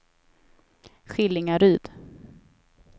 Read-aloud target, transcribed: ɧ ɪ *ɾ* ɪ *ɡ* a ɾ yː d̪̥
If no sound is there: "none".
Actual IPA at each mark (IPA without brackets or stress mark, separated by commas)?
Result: l, ŋ